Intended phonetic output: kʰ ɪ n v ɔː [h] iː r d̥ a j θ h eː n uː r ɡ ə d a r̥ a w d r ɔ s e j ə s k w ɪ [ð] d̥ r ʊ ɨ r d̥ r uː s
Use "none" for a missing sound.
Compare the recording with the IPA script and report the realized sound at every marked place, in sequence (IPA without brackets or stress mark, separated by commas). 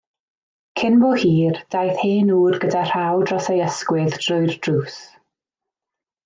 h, ð